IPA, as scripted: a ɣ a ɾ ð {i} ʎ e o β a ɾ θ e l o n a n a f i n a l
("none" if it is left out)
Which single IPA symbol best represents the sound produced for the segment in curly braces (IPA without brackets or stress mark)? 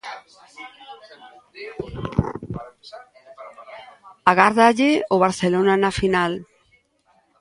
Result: a